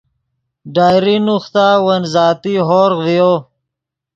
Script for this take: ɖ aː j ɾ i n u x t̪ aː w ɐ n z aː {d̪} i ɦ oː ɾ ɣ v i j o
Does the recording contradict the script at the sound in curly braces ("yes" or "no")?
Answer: yes